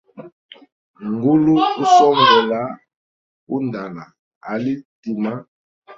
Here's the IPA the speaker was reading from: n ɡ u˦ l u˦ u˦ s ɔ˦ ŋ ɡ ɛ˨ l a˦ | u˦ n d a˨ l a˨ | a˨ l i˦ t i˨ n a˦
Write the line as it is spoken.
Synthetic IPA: ŋ ɡ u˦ l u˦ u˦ s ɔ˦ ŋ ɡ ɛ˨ l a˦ | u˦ n d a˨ l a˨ | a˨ l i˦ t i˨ m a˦